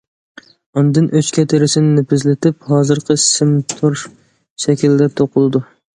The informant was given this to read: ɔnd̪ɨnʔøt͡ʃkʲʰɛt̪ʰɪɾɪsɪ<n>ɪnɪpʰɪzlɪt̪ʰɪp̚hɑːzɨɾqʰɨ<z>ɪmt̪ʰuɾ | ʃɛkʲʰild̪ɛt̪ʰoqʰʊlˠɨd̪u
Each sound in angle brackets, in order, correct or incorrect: correct, incorrect: s

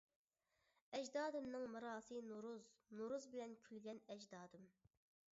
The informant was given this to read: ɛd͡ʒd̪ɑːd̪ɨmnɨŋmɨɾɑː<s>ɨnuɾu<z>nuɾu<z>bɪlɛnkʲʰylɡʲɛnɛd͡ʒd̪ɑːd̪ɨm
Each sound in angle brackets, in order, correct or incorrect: correct, correct, correct

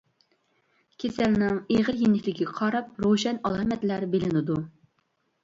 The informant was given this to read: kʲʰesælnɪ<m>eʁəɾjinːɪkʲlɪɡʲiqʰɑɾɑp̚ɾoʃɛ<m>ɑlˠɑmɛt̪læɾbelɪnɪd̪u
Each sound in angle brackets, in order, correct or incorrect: incorrect: ŋ, incorrect: n

